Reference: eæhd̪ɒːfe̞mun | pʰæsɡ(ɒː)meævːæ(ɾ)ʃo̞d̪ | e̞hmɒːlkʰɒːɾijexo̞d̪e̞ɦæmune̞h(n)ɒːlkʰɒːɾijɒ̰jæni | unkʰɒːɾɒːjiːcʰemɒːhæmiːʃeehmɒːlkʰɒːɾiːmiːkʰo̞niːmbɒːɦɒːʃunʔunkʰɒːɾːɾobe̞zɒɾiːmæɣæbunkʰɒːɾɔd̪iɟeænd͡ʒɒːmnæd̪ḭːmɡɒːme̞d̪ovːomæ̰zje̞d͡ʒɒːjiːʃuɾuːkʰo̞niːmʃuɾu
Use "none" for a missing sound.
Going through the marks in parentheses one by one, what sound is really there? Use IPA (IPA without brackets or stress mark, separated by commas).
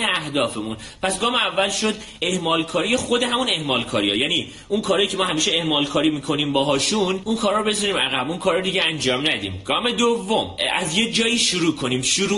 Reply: ɒː, l, m